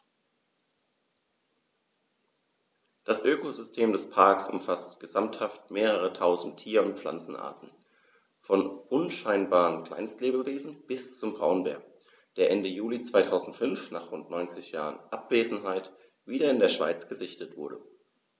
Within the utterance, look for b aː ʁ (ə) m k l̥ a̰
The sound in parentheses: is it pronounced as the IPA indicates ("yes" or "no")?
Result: yes